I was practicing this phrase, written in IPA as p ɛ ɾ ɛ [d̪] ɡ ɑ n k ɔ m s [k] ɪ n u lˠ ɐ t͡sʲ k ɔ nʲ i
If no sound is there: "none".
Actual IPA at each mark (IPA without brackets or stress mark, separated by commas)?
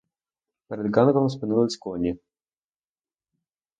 d̪, p